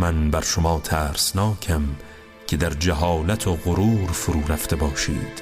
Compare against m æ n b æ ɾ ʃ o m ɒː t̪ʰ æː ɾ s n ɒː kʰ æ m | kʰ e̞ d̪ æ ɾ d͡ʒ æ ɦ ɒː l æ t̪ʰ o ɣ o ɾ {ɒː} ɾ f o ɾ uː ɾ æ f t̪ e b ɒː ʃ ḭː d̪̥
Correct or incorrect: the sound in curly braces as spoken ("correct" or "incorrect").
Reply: incorrect